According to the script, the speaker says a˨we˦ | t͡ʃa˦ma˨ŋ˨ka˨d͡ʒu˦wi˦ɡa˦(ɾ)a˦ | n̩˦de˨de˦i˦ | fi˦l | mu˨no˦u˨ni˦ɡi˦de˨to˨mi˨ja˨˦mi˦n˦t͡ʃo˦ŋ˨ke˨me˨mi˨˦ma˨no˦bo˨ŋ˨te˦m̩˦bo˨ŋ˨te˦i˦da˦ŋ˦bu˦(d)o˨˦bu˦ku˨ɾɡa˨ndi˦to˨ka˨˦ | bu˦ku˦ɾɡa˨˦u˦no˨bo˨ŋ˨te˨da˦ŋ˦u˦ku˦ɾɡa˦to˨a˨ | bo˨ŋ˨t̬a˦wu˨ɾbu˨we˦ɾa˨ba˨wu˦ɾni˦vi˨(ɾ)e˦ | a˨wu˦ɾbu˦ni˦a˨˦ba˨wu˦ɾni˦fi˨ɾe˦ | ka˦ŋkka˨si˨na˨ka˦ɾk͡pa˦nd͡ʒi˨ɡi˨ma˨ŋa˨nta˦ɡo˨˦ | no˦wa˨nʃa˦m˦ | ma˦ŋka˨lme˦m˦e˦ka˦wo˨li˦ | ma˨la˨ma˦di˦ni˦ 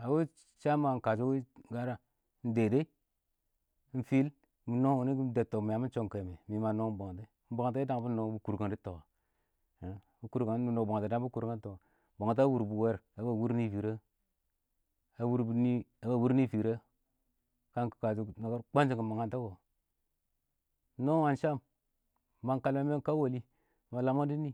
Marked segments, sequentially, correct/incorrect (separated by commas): correct, incorrect, correct